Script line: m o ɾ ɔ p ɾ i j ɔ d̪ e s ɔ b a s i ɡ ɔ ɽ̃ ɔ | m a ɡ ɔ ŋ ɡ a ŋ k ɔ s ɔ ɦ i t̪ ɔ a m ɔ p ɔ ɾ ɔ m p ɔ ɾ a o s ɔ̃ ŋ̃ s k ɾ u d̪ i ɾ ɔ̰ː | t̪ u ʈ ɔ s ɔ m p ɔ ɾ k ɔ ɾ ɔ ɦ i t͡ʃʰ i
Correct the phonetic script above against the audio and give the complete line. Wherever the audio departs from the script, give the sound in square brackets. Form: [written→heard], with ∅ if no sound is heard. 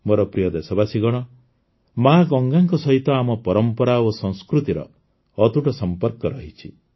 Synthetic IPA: m o ɾ ɔ p ɾ i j ɔ d̪ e s ɔ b a s i ɡ ɔ ɽ̃ ɔ | m a ɡ ɔ ŋ ɡ a ŋ k ɔ s ɔ ɦ i t̪ ɔ a m ɔ p ɔ ɾ ɔ m p ɔ ɾ a o s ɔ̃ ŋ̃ s k ɾ u [d̪→t̪] i ɾ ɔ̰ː | t̪ u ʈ ɔ s ɔ m p ɔ ɾ k ɔ ɾ ɔ ɦ i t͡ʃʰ i